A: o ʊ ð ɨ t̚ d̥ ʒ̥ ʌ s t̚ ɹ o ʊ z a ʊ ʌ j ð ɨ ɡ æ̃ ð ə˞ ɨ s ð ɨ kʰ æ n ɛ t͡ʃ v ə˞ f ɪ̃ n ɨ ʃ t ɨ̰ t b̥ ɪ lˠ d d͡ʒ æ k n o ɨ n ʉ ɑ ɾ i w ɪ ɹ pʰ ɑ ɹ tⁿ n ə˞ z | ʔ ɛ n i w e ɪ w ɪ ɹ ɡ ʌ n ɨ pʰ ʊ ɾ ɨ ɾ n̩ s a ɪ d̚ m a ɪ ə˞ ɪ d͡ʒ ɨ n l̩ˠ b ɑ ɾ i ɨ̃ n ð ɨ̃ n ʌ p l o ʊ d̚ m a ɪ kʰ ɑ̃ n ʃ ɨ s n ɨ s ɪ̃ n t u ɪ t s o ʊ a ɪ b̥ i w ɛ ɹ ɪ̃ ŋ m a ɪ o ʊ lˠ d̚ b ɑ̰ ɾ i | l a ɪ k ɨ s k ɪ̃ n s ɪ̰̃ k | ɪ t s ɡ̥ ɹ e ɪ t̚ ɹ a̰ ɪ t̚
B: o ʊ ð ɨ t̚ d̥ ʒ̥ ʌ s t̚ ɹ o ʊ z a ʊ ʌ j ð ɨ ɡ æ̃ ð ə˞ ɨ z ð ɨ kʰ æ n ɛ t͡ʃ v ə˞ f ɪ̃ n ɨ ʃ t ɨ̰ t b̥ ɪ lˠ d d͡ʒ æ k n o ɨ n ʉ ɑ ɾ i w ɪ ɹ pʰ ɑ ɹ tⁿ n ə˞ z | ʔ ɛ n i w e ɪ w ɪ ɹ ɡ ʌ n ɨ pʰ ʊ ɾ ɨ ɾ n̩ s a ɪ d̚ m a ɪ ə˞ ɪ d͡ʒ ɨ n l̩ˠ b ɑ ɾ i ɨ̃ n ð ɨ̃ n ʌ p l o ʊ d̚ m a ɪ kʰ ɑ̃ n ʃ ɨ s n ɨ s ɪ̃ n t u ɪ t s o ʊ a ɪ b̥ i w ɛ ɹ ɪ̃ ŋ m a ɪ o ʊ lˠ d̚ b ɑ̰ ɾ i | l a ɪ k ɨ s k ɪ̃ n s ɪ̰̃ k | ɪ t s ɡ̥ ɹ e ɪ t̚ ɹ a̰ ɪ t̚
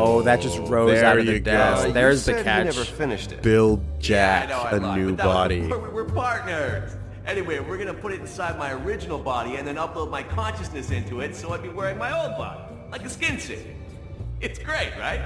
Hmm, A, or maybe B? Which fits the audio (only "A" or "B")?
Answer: B